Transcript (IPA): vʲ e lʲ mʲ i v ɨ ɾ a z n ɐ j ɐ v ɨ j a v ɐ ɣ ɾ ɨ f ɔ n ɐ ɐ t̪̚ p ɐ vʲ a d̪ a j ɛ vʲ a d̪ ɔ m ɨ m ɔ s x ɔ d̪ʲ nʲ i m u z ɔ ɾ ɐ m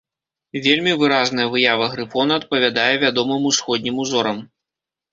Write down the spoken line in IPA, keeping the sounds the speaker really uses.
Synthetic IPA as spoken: vʲ e lʲ mʲ i v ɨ ɾ a z n ɐ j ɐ v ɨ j a v ɐ ɣ ɾ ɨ f ɔ n ɐ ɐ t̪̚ p ɐ vʲ a d̪ a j ɛ vʲ a d̪ ɔ m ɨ m u s x ɔ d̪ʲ nʲ i m u z ɔ ɾ ɐ m